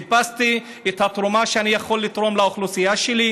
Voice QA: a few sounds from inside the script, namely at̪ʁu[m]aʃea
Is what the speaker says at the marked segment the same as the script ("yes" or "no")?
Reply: yes